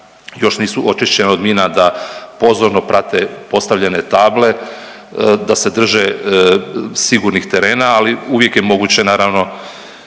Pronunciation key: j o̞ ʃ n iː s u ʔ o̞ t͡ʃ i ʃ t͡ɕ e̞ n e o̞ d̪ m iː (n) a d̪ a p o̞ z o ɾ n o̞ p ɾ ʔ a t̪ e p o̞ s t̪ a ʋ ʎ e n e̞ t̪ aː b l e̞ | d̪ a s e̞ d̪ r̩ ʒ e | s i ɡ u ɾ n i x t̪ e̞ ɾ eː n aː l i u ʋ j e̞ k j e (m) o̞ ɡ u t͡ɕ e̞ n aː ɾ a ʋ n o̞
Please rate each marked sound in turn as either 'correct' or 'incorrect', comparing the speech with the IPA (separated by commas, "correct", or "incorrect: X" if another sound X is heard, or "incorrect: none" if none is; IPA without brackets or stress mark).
correct, correct